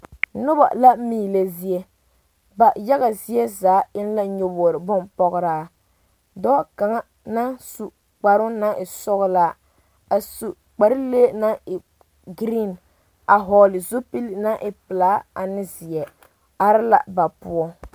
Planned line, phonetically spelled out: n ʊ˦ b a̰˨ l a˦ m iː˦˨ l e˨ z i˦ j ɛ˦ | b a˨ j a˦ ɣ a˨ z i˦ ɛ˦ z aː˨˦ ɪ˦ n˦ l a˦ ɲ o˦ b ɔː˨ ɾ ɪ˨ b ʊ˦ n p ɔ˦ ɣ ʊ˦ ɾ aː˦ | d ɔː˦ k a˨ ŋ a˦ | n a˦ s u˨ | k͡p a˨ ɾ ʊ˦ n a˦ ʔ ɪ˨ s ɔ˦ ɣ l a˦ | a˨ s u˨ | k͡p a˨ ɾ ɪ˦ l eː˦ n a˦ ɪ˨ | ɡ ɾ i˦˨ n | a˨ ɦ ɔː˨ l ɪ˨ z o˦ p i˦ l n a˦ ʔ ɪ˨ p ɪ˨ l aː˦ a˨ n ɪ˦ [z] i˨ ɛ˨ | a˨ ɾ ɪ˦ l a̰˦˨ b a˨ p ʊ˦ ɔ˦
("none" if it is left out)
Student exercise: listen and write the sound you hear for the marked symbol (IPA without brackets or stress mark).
z